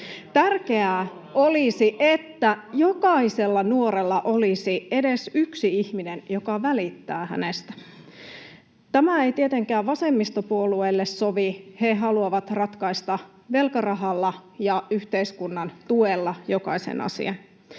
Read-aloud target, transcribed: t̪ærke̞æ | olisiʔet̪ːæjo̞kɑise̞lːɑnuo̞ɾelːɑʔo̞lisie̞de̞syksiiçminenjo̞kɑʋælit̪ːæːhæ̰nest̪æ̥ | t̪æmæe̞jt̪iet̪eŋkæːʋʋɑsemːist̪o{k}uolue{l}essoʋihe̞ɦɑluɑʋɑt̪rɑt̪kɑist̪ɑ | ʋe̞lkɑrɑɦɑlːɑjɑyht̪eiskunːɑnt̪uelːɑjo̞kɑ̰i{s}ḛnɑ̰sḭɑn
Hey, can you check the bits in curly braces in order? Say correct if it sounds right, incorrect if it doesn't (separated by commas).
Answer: incorrect, incorrect, correct